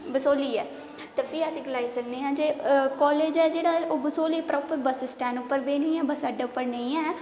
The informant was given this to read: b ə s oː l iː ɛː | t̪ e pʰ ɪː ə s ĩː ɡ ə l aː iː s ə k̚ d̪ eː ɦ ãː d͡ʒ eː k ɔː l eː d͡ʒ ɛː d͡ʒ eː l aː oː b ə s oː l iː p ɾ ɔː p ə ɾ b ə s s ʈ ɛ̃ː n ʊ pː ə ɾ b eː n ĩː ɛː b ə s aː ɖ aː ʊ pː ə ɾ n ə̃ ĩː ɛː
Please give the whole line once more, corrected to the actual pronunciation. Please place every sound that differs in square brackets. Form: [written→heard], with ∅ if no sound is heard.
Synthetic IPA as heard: b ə s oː l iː ɛː | t̪ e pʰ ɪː ə s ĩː ɡ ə l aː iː s ə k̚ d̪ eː ɦ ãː d͡ʒ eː k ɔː l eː d͡ʒ ɛː d͡ʒ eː [l→ɽ] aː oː b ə s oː l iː p ɾ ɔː p ə ɾ b ə s s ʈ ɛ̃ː n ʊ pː ə ɾ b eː n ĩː ɛː b ə s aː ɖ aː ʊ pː ə ɾ n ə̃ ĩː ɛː